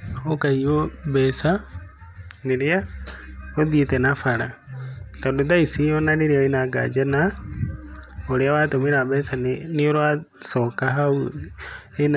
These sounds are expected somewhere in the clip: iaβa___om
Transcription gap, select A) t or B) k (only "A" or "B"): A